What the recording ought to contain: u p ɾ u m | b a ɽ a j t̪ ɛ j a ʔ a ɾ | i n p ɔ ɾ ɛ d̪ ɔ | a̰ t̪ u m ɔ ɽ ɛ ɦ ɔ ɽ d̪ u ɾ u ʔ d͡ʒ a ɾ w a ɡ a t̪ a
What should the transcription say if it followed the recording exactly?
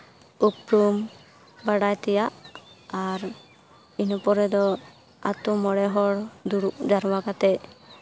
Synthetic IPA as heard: u p ɾ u m | b a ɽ a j t̪ ɛ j a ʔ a ɾ | i n p ɔ ɾ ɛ d̪ ɔ | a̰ t̪ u m ɔ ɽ ɛ ɦ ɔ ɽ d̪ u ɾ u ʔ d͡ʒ a ɾ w a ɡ a t̪ ɛ